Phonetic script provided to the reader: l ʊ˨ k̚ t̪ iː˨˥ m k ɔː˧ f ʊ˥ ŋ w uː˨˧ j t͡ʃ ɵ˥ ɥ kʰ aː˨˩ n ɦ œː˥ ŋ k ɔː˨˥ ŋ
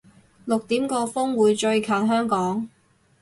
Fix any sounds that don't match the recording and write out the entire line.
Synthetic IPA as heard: l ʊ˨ k̚ t̪ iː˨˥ m k ɔː˧ f ʊ˥ ŋ w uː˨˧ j t͡ʃ ɵ˧ ɥ kʰ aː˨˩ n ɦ œː˥ ŋ k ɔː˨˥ ŋ